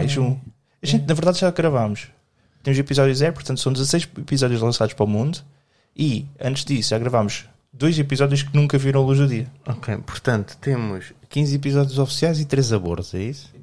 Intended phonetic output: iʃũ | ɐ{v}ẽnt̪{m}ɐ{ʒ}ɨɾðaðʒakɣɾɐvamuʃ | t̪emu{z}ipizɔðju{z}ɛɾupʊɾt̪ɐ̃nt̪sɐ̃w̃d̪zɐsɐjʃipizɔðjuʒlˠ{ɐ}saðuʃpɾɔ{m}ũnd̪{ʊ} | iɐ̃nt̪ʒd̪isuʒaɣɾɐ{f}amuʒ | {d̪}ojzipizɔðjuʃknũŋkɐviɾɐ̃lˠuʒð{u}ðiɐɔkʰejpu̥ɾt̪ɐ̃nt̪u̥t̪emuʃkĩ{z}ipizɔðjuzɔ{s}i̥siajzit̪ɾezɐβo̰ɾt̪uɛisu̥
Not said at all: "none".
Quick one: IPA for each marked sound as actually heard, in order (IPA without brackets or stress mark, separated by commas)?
ʒ, n, v, z, z, ɐ̃, m, u, v, d̪, u, z, f